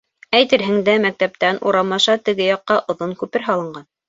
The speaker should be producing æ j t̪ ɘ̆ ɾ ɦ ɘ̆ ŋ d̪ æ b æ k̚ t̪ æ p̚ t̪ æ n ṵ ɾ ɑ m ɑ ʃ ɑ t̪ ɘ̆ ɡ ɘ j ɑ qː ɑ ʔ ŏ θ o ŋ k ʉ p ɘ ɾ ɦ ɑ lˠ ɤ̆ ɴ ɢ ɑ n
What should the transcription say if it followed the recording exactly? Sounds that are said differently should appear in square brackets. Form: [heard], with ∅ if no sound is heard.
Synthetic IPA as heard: æ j t̪ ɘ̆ ɾ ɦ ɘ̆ ŋ d̪ æ [m] æ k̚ t̪ æ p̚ t̪ æ n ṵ ɾ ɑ m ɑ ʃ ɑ t̪ ɘ̆ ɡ ɘ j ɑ qː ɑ ʔ ŏ [ð] o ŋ k ʉ p ɘ ɾ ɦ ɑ lˠ ɤ̆ ɴ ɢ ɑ n